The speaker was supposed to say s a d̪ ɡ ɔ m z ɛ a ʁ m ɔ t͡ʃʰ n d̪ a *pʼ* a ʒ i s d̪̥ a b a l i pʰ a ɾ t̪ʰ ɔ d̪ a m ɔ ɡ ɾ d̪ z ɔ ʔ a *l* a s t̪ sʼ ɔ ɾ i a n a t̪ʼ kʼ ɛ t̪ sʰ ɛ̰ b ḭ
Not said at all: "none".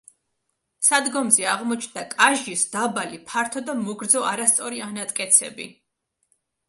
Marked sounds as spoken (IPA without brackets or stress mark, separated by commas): kʼ, ɾ